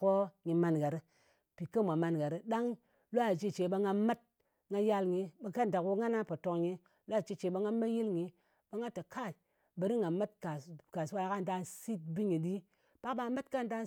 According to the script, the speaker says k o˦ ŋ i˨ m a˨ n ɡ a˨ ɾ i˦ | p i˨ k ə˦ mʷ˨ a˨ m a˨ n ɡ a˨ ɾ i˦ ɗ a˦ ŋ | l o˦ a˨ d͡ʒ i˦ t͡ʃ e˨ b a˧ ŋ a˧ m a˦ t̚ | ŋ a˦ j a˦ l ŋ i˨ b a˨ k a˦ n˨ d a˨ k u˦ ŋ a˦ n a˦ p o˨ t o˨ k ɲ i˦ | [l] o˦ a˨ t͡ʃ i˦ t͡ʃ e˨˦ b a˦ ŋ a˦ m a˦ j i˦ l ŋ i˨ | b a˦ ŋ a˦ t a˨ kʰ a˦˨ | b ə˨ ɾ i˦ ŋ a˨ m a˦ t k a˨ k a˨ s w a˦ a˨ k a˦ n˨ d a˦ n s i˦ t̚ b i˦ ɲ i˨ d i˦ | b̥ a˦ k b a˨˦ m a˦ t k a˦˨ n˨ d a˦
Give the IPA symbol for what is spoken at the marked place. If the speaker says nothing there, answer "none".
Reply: l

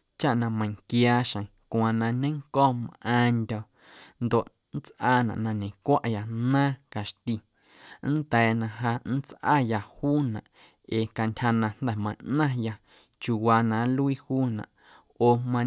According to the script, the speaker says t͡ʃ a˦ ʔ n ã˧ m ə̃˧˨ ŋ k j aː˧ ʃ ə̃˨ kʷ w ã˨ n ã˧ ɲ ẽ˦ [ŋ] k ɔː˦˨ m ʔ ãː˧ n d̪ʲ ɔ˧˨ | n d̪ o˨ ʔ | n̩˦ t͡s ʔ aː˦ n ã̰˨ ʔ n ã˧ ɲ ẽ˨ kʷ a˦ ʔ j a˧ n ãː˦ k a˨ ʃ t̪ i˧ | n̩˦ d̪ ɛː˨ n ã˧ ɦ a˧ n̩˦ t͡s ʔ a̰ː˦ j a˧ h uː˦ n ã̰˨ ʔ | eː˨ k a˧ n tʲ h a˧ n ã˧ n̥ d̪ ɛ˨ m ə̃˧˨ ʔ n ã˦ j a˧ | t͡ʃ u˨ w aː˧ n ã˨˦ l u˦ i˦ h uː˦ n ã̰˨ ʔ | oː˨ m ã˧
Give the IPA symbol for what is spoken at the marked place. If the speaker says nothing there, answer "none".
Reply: ŋ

